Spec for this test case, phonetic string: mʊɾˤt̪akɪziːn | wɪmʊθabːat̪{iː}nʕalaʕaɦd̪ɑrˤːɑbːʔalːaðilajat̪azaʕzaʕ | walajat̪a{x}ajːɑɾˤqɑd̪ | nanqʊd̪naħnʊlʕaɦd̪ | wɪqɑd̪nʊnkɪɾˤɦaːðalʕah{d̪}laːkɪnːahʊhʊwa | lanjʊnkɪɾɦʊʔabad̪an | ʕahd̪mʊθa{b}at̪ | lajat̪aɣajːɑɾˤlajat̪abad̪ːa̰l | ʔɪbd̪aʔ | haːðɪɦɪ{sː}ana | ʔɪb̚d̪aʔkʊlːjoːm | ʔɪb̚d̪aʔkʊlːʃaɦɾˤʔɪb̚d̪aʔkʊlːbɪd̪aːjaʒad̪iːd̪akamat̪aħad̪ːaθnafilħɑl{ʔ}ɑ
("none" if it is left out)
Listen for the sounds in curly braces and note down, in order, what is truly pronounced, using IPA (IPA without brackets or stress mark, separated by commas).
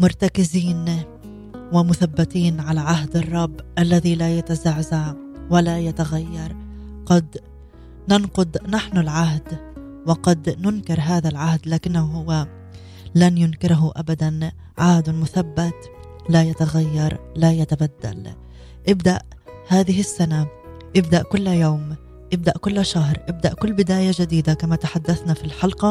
iː, ɣ, d̪, bː, sː, q